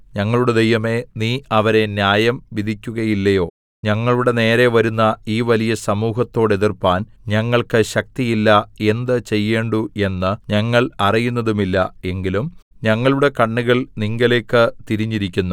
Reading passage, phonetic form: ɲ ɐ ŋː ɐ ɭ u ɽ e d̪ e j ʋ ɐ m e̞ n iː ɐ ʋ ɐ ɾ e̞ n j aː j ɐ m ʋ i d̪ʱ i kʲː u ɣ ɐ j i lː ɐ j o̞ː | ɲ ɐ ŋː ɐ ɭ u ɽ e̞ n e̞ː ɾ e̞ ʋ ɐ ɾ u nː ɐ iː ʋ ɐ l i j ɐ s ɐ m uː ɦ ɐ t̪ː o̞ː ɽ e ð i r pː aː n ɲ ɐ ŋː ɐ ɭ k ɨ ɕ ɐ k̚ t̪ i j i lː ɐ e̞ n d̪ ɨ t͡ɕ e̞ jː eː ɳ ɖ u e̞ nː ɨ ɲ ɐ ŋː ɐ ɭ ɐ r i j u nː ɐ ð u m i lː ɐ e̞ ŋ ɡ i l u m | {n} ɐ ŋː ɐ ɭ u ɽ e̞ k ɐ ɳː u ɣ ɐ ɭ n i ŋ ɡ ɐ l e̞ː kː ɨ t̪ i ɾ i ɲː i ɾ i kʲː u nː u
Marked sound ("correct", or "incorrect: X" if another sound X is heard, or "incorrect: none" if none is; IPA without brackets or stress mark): incorrect: ɲ